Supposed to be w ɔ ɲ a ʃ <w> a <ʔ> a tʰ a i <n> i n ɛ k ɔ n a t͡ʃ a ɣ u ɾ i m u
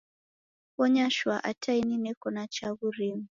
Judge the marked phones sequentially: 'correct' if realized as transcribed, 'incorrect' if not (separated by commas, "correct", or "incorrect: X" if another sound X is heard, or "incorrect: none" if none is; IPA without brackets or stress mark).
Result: correct, correct, correct